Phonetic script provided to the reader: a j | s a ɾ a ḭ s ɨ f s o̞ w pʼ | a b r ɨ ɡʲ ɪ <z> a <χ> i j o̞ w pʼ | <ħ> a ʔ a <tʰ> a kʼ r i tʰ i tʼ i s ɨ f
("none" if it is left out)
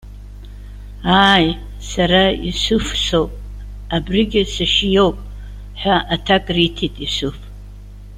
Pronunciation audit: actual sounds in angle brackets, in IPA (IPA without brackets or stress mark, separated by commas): s, ʃ, ħ, tʰ